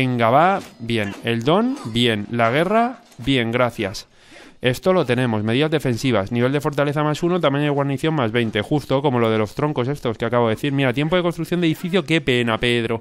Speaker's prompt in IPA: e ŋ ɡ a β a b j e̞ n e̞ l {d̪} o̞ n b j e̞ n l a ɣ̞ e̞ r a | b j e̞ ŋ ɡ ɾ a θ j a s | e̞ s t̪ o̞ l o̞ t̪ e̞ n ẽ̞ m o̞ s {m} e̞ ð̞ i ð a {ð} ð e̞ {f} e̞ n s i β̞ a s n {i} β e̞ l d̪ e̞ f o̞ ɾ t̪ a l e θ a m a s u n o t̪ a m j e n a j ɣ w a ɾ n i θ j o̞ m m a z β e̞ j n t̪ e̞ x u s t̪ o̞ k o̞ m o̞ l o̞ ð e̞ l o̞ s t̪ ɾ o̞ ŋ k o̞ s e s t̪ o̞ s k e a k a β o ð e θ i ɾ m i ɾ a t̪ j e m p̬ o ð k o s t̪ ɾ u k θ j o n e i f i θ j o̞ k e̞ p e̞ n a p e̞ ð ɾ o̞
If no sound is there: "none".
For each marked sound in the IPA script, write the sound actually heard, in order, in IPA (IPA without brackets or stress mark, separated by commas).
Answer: d̪, m, z, f, i